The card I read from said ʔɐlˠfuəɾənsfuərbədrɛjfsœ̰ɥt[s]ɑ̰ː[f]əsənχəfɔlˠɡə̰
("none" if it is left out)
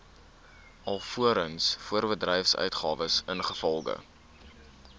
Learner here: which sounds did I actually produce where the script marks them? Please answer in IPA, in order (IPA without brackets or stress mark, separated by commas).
χ, v